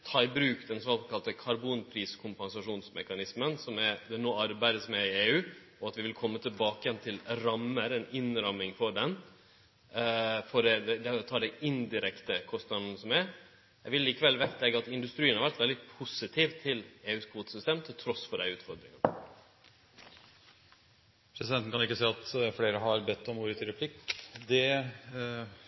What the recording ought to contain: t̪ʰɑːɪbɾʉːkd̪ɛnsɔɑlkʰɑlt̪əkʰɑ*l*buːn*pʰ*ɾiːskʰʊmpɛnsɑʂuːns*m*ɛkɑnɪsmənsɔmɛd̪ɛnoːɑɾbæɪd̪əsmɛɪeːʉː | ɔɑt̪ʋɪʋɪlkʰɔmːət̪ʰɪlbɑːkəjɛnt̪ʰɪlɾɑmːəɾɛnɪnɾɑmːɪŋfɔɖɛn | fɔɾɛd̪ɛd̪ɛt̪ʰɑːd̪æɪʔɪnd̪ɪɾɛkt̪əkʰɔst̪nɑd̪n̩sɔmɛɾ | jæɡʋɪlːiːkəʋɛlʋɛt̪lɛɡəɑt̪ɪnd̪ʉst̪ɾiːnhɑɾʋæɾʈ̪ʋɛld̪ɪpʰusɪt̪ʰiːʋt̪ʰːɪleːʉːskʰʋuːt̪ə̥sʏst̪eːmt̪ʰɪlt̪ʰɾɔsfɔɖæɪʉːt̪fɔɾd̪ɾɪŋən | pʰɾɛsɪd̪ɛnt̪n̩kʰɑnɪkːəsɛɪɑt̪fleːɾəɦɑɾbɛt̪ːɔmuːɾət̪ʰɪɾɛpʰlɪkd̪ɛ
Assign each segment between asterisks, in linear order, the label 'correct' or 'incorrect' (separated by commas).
incorrect, correct, correct